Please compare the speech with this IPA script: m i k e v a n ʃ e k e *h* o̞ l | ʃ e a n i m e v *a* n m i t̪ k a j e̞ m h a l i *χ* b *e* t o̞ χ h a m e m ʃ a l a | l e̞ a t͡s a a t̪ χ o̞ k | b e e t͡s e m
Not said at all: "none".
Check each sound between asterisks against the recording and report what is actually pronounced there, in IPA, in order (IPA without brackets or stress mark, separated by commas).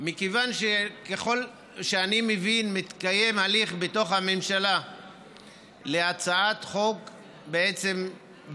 χ, i, χ, e